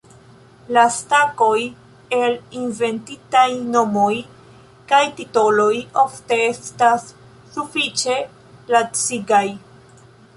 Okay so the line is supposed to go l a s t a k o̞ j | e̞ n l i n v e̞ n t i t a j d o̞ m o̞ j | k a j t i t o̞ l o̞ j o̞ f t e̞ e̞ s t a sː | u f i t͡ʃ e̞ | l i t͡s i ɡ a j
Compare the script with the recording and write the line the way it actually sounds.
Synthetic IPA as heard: l a s t a k o̞ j | e̞ l i n v e̞ n t i t a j n o̞ m o̞ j | k a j t i t o̞ l o̞ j o̞ f t e̞ e̞ s t a sː | u f i t͡ʃ e̞ | l a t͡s i ɡ a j